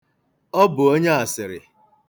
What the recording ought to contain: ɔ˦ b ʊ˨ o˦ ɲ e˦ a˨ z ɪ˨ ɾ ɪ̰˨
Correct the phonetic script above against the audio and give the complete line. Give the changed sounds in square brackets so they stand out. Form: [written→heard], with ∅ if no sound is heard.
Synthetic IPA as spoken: ɔ˦ b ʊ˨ o˦ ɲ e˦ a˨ [z→s] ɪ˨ ɾ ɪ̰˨